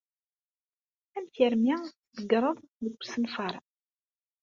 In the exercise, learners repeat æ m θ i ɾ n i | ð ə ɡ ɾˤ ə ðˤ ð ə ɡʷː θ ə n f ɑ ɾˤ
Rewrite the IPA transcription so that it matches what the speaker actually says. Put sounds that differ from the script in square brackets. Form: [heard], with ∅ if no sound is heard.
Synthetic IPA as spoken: æ m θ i ɾ [m] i | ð ə ɡ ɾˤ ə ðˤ ð ə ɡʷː [s] ə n f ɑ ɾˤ